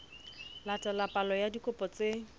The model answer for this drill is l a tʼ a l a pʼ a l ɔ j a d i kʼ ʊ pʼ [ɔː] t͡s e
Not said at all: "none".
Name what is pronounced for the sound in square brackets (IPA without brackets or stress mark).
ɔ